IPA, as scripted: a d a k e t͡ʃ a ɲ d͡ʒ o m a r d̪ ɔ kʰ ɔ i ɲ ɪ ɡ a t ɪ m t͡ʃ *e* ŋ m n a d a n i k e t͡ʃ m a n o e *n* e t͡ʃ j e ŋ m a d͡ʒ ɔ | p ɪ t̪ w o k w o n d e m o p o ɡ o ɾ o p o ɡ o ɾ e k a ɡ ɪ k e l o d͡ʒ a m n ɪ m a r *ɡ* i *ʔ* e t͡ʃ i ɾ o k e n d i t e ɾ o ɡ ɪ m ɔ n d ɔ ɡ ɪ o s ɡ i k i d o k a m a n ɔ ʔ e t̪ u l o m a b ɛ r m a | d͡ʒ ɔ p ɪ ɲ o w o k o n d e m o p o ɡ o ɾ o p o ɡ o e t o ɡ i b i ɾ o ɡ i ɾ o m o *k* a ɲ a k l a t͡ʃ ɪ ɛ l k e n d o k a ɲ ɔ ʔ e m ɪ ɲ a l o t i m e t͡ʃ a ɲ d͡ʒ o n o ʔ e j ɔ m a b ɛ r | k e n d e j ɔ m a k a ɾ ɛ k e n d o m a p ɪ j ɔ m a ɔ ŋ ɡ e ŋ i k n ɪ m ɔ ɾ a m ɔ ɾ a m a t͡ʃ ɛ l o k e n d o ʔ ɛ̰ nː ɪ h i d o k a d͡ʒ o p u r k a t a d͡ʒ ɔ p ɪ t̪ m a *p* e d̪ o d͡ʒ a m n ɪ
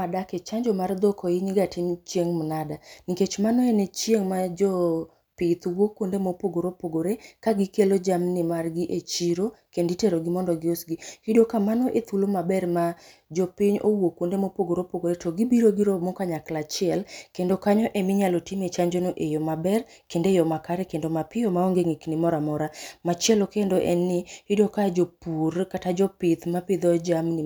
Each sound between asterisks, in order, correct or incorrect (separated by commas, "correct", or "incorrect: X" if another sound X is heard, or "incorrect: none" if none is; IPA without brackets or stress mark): correct, correct, correct, correct, correct, correct